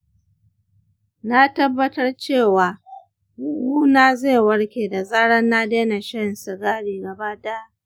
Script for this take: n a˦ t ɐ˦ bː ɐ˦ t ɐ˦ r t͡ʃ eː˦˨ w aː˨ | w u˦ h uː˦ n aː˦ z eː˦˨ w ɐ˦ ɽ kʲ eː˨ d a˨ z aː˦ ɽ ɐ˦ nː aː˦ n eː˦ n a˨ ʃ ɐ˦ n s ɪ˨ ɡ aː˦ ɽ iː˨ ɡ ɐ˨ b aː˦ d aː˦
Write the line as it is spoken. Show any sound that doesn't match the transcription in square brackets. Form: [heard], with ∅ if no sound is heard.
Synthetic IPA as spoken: n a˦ t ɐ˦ bː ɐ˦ t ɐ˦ r t͡ʃ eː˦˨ w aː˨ | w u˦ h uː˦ n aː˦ z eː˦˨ w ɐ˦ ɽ kʲ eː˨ d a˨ z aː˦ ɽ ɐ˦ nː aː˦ [d] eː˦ n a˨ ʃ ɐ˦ n s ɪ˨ ɡ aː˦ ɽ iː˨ ɡ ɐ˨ b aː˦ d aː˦